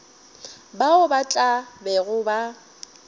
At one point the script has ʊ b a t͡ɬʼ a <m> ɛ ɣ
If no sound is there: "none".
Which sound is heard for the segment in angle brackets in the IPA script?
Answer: b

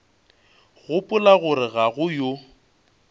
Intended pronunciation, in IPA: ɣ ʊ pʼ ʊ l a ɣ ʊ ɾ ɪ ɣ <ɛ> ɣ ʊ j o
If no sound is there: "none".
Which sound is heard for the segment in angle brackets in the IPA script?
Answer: a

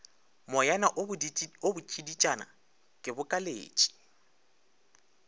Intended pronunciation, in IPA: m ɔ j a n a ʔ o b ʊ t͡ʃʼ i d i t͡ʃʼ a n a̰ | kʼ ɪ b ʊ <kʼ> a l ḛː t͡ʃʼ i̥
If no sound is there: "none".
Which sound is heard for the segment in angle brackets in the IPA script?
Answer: kʼ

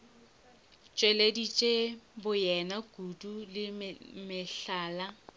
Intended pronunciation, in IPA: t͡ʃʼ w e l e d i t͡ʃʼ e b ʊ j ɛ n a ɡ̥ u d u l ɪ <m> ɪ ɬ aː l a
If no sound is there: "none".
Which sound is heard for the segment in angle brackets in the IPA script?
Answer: m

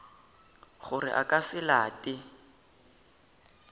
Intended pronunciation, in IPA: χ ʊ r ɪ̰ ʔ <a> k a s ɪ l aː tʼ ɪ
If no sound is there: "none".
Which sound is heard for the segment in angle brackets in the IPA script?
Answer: a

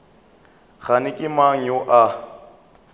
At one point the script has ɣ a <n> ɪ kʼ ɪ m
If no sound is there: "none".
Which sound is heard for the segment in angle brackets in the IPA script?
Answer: n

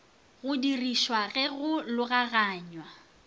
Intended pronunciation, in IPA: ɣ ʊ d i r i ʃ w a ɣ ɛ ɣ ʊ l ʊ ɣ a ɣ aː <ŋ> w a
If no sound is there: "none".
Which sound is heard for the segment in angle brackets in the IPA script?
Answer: ɲ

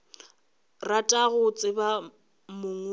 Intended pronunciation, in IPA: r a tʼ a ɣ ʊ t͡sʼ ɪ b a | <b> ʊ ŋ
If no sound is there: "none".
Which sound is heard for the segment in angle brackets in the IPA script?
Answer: m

